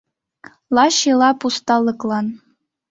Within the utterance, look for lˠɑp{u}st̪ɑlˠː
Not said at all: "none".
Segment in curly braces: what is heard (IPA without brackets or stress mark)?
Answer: u